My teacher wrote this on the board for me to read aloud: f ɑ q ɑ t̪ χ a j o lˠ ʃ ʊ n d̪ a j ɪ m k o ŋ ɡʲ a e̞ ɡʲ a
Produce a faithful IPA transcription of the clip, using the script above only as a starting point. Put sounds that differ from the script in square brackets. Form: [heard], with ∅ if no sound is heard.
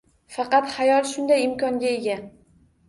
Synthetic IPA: f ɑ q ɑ t̪ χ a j [ɒ] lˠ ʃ ʊ n d̪ a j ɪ m k [ɒ] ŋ ɡʲ a e̞ ɡʲ a